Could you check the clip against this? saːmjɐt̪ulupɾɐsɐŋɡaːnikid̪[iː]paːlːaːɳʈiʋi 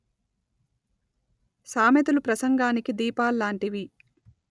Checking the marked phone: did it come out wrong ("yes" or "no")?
no